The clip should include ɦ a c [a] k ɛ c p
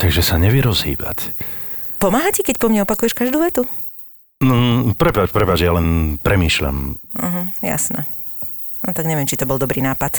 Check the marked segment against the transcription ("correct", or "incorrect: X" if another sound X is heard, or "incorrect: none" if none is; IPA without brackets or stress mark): incorrect: ɛ